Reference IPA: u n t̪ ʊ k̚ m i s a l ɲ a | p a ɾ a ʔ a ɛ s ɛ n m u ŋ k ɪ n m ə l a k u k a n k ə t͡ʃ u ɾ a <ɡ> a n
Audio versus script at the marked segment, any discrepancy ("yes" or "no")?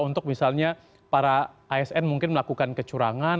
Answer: yes